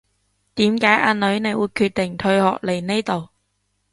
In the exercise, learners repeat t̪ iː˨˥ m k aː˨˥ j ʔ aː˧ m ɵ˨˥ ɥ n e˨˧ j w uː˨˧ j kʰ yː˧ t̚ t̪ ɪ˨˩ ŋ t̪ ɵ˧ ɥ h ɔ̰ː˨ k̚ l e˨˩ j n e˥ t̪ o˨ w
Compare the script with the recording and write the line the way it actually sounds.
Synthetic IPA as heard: t̪ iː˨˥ m k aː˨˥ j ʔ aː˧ n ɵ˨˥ ɥ n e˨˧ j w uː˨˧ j kʰ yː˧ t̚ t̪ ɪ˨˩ ŋ t̪ʰ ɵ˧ ɥ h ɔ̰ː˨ k̚ l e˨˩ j n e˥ t̪ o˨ w